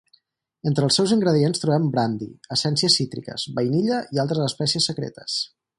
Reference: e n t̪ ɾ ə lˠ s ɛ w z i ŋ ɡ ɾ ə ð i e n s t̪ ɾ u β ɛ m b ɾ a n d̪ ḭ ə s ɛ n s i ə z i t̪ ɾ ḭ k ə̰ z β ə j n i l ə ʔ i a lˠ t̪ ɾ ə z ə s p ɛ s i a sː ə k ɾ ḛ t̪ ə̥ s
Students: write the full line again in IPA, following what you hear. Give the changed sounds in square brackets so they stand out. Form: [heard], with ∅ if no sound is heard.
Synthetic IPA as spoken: e n t̪ ɾ ə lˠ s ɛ w z i ŋ ɡ ɾ ə ð i e n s t̪ ɾ u β ɛ m b ɾ a n d̪ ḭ ə s ɛ n s i ə [s] i t̪ ɾ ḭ k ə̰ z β ə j n i [ʎ] ə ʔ i a lˠ t̪ ɾ ə z ə s p ɛ s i [ə] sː ə k ɾ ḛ t̪ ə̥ s